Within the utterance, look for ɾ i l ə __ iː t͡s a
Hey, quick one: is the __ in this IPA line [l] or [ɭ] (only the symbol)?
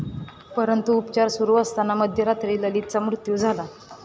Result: l